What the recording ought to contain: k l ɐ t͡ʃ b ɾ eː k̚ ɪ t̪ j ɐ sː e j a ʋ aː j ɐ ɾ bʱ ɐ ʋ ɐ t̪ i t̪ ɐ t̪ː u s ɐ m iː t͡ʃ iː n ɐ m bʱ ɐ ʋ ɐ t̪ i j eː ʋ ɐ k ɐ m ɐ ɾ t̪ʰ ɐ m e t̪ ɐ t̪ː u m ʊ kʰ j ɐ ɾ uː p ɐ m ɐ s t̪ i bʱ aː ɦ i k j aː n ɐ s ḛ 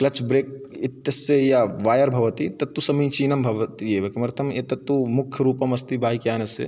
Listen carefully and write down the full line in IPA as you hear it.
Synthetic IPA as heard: k l ɐ t͡ʃ b ɾ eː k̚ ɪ t̪ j ɐ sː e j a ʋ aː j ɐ ɾ bʱ ɐ ʋ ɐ t̪ i t̪ ɐ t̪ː u s ɐ m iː t͡ʃ iː n ɐ m bʱ ɐ ʋ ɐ t̪ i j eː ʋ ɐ k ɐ m ɐ ɾ t̪ʰ ɐ m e t̪ ɐ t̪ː u m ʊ kʰ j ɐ ɾ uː p ɐ m ɐ s t̪ i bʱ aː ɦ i k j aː n ɐ s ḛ

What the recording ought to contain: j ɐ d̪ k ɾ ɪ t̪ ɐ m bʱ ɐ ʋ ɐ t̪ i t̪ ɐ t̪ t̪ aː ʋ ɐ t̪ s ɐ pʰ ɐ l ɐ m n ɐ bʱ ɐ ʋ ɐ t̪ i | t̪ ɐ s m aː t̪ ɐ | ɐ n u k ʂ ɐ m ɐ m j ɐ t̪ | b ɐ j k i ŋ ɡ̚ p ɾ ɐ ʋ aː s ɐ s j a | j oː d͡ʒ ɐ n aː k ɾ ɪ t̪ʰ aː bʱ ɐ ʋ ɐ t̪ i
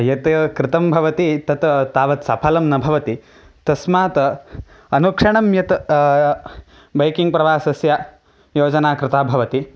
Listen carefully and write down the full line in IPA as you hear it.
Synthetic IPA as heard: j ɐ t̪ k ɾ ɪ t̪ ɐ m bʱ ɐ ʋ ɐ t̪ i t̪ ɐ t̪ t̪ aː ʋ ɐ t̪ s ɐ pʰ ɐ l ɐ m n ɐ bʱ ɐ ʋ ɐ t̪ i | t̪ ɐ s m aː t̪ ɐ | ɐ n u k ʂ ɐ ɳ ɐ m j ɐ t̪ | b ɐ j k i ŋ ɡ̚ p ɾ ɐ ʋ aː s ɐ s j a | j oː d͡ʒ ɐ n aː k ɾ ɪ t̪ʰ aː bʱ ɐ ʋ ɐ t̪ i

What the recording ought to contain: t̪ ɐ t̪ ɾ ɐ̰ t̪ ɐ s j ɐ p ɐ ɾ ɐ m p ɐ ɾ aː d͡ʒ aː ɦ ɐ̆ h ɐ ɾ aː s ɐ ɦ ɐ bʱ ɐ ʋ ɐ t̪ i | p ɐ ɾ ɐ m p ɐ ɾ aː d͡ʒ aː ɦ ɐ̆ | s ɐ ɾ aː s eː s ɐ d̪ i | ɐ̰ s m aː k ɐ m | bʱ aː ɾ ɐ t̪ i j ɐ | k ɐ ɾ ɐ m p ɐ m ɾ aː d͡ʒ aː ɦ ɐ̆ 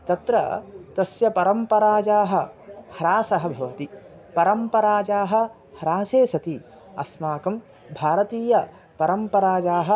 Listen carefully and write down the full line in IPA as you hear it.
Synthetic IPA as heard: t̪ ɐ t̪ ɾ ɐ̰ t̪ ɐ s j ɐ p ɐ ɾ ɐ m p ɐ ɾ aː d͡ʒ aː ɦ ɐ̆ h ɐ ɾ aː s ɐ ɦ ɐ bʱ ɐ ʋ ɐ t̪ i | p ɐ ɾ ɐ m p ɐ ɾ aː d͡ʒ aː ɦ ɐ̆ | h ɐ ɾ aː s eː s ɐ t̪ i | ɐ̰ s m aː k ɐ m | bʱ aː ɾ ɐ t̪ iː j ɐ | p ɐ ɾ ɐ m p ɐ ɾ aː d͡ʒ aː ɦ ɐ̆

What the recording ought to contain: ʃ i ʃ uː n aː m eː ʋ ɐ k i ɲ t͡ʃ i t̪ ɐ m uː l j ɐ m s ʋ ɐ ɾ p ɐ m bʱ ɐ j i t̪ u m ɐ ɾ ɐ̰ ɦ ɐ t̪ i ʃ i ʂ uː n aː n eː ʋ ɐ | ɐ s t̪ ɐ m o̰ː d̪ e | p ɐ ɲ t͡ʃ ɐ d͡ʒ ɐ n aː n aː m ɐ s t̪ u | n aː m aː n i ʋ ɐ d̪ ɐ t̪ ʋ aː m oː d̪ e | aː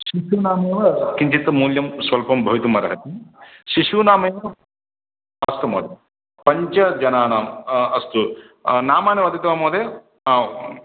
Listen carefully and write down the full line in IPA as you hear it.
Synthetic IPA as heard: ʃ i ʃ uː n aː m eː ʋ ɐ k i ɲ t͡ʃ i t̪ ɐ m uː l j ɐ m s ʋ ɐ l p ɐ m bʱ ɐ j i t̪ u m ɐ ɾ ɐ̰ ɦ ɐ t̪ i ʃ i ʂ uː n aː m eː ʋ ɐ | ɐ s t̪ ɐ m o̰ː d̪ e | p ɐ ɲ t͡ʃ ɐ d͡ʒ ɐ n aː n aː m ɐ s t̪ u | n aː m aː n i ʋ ɐ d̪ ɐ t̪ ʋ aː m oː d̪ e | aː

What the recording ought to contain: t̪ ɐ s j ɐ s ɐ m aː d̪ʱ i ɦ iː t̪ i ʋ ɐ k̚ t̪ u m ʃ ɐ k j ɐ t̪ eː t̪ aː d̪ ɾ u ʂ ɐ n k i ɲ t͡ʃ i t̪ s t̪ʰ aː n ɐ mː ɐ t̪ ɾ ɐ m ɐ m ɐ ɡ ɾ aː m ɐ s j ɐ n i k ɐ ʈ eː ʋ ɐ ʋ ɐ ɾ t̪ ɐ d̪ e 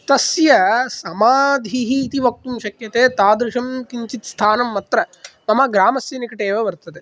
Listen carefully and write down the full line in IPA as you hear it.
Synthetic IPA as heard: t̪ ɐ s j ɐ s ɐ m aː d̪ʱ i ɦ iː t̪ i ʋ ɐ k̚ t̪ u m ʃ ɐ k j ɐ t̪ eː t̪ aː d̪ ɾ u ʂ ɐ m k i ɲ t͡ʃ i t̪ s t̪ʰ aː n ɐ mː ɐ t̪ ɾ ɐ m ɐ m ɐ ɡ ɾ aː m ɐ s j ɐ n i k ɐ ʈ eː ʋ ɐ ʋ ɐ ɾ t̪ ɐ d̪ e

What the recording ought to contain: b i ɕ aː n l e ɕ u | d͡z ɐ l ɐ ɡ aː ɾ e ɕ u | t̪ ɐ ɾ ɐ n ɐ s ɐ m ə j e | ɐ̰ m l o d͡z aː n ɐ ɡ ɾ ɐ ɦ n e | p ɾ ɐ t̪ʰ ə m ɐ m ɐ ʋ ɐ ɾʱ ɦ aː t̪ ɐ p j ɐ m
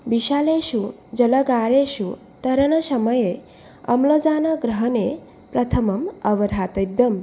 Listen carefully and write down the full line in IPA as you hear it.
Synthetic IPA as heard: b i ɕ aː l e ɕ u | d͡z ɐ l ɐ ɡ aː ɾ e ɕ u | t̪ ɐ ɾ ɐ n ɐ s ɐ m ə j e | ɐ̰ m l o d͡z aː n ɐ ɡ ɾ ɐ ɦ n e | p ɾ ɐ t̪ʰ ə m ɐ m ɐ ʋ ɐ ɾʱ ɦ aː t̪ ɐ b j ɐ m

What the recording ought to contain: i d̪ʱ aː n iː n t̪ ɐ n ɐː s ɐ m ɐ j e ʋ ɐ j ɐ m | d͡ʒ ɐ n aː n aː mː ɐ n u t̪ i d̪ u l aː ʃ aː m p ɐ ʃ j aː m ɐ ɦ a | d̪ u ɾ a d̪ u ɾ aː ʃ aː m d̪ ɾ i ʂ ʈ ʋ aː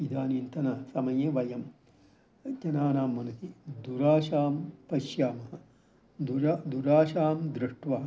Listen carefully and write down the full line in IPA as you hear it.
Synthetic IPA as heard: i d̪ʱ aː n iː n t̪ ɐ n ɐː s ɐ m ɐ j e ʋ ɐ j ɐ m | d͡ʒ ɐ n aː n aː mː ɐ n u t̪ i d̪ u ɾ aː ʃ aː m p ɐ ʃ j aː m ɐ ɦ ɐ | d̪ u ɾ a d̪ u ɾ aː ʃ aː m d̪ ɾ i ʂ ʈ ʋ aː

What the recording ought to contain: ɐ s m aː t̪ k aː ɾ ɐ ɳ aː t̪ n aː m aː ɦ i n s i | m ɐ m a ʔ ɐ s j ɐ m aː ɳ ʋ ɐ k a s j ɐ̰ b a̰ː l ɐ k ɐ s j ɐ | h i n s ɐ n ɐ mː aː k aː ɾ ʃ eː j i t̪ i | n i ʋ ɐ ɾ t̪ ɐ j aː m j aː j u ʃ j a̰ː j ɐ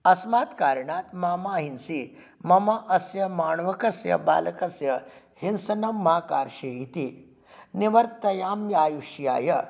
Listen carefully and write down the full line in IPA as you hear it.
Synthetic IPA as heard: ɐ s m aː t̪ k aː ɾ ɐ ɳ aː t̪ m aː m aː ɦ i n s i | m ɐ m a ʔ ɐ s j ɐ m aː ɳ ʋ ɐ k ɐ s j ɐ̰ b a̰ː l ɐ k ɐ s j ɐ | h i n s ɐ n ɐ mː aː k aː ɾ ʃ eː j i t̪ i | n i ʋ ɐ ɾ t̪ ɐ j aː m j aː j u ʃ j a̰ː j ɐ

